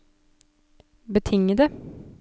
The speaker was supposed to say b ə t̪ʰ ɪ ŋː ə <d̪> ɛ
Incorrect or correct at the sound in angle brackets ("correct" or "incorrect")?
correct